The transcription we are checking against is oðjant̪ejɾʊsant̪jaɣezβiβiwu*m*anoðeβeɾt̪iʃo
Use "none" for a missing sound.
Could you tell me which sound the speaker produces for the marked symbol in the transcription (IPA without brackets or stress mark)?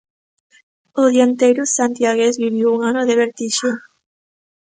ŋ